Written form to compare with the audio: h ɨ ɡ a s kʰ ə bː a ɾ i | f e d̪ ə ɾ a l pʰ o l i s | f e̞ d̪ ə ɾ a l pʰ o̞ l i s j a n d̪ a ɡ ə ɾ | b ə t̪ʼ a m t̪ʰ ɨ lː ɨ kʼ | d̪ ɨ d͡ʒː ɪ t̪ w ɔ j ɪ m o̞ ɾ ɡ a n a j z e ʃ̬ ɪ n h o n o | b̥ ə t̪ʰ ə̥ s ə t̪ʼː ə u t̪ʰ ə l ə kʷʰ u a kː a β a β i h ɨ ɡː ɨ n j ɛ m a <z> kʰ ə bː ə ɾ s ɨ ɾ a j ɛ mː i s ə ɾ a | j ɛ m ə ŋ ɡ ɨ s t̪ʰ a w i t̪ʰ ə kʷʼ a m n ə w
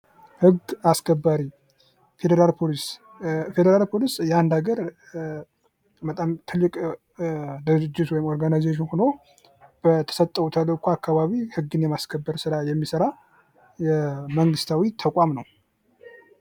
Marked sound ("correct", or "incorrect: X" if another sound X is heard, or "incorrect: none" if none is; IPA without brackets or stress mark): incorrect: s